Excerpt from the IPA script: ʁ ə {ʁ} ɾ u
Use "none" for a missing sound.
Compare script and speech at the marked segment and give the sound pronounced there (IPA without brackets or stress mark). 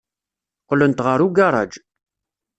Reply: none